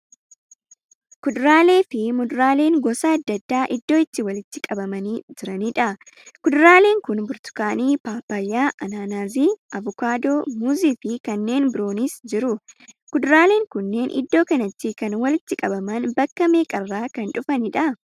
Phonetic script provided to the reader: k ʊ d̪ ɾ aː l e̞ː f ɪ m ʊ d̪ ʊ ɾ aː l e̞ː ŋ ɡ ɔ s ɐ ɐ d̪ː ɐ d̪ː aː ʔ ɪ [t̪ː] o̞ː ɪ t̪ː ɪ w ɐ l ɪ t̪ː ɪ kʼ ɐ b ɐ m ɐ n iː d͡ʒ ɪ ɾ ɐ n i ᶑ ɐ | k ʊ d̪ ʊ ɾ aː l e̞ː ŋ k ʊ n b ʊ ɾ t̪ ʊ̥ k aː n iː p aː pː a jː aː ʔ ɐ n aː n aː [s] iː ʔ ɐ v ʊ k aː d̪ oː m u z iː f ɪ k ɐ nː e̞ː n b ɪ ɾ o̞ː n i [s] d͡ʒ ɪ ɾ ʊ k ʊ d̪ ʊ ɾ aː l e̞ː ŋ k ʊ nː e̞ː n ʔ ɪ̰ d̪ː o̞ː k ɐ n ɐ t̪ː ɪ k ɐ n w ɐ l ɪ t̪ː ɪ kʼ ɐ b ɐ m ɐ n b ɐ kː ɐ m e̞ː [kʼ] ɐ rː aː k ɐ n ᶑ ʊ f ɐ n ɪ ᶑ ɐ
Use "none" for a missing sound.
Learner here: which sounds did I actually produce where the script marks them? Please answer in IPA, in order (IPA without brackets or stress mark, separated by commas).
d̪ː, z, s, kʼ